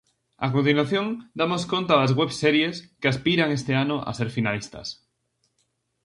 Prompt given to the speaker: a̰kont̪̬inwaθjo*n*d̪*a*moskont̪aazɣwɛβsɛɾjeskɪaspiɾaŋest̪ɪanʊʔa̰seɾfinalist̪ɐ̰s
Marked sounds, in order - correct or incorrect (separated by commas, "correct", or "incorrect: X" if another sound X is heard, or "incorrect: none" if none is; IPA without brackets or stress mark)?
incorrect: ŋ, correct